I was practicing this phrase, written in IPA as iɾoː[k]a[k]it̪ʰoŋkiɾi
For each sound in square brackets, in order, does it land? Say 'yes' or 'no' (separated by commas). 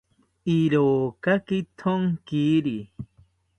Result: yes, yes